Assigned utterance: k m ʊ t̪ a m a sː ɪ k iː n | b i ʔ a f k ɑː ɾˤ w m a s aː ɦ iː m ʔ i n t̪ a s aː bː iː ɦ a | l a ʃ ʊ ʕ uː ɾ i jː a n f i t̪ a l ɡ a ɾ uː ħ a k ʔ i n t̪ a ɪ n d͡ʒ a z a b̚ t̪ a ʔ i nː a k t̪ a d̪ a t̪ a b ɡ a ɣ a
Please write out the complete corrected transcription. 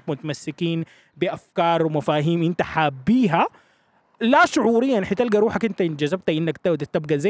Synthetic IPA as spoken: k m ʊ t̪ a m a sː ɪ k iː n | b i ʔ a f k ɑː ɾˤ w m a f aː ɦ iː m ʔ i n t̪ a ħ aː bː iː ɦ a | l a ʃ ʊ ʕ uː ɾ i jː a n ħ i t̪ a l ɡ a ɾ uː ħ a k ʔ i n t̪ a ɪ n d͡ʒ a z a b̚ t̪ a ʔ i nː a k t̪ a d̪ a t̪ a b ɡ a z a